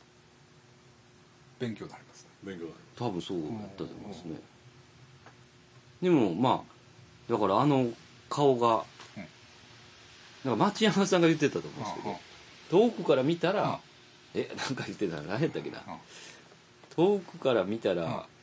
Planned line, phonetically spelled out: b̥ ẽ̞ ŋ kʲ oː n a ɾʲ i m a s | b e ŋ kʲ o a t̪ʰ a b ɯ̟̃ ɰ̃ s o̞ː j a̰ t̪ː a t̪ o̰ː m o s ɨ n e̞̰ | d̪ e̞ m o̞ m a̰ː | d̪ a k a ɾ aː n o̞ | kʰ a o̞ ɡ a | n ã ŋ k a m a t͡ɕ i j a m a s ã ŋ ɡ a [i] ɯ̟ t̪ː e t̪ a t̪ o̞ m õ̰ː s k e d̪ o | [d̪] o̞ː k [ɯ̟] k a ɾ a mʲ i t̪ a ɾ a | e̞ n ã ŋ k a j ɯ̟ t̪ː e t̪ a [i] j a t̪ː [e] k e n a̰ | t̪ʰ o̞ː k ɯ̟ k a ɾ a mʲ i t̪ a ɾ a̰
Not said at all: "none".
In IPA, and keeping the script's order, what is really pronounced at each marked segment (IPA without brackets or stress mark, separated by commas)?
j, t̪, ɯ̟, a, a